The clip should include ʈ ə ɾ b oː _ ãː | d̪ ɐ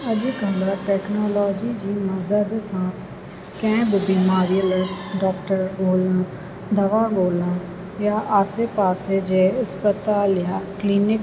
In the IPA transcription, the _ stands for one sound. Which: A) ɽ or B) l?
B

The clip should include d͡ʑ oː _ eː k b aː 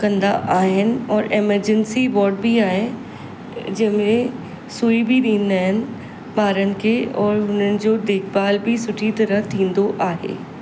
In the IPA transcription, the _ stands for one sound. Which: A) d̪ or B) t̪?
A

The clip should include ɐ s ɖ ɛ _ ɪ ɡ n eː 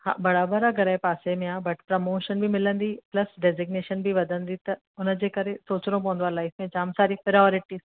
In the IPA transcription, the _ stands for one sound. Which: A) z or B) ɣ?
A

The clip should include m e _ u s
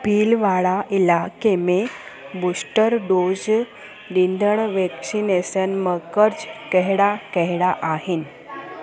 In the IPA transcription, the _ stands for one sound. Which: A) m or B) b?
B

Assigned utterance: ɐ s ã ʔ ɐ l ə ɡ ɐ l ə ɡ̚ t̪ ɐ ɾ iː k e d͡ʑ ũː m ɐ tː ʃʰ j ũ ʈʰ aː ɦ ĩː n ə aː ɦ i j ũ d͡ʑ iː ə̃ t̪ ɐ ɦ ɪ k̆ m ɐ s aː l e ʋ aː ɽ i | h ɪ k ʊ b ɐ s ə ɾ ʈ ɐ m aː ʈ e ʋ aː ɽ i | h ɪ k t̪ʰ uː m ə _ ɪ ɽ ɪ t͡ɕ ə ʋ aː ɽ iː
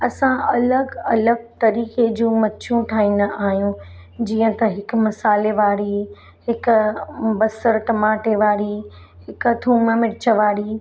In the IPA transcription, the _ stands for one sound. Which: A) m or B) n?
A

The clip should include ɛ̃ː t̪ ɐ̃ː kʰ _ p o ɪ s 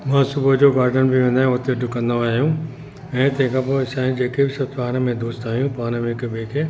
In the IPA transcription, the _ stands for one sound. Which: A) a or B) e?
A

